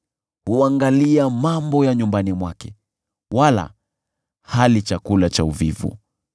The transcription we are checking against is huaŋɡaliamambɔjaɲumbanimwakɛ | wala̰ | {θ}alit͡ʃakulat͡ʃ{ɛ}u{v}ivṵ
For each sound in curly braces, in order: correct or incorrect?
incorrect: h, incorrect: a, correct

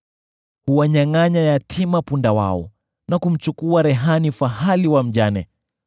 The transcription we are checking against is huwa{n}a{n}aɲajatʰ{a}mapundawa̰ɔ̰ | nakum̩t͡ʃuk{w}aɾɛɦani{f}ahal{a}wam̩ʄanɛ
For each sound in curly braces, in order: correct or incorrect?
incorrect: ɲ, incorrect: ŋ, incorrect: i, incorrect: u, correct, incorrect: i

